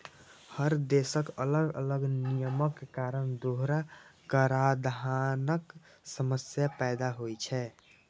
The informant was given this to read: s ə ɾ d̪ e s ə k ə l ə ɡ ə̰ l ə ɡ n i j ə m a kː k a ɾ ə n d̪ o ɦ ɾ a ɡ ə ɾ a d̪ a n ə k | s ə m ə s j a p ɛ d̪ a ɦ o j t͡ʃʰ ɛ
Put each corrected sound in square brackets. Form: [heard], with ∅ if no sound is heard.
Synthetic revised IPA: [h] ə ɾ d̪ e s ə k ə l ə ɡ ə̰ l ə ɡ n i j ə m [ə] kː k a ɾ ə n d̪ o ɦ ɾ a [k] ə ɾ a d̪ a n ə k | s ə m ə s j a p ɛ d̪ a ɦ o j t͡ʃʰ ɛ